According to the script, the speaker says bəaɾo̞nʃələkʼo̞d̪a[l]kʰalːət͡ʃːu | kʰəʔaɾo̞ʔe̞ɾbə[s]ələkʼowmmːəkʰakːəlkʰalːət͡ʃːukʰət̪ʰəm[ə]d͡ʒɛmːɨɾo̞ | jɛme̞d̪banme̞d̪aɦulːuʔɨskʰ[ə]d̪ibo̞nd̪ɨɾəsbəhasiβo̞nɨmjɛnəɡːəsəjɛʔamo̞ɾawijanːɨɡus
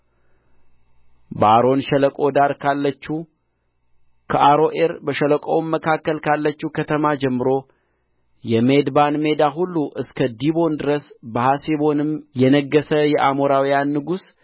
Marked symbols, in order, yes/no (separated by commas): no, no, no, yes